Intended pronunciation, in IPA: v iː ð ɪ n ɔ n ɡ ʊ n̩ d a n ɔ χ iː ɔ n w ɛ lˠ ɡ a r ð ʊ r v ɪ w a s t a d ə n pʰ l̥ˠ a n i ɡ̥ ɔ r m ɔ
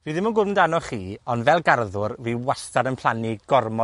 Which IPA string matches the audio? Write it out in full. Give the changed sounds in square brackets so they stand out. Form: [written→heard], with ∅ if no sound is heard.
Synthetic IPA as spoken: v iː ð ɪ [n→m] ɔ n ɡ ʊ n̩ d a n ɔ χ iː ɔ n [w→v] ɛ lˠ ɡ a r ð ʊ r v [ɪ→i] w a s t a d ə n pʰ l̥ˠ a n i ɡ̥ ɔ r m ɔ